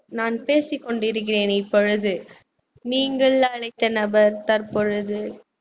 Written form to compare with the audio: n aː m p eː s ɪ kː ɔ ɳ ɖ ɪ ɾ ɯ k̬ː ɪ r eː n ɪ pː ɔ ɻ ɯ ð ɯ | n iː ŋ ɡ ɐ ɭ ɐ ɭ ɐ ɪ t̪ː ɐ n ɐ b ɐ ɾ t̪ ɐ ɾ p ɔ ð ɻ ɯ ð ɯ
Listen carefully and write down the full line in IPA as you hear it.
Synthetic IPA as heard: n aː n p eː s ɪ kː ɔ ɳ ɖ ɪ ɾ ɯ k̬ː ɪ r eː n ɪ pː ɔ ɻ ɯ ð ɯ | n iː ŋ ɡ ɐ ɭ ɐ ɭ ɐ ɪ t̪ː ɐ n ɐ b ɐ ɾ t̪ ɐ ɾ p ɔ ɻ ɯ ð ɯ